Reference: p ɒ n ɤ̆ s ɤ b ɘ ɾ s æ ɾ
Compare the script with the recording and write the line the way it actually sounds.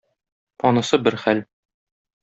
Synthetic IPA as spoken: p ɒ n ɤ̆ s ɤ b ɘ ɾ χ æ l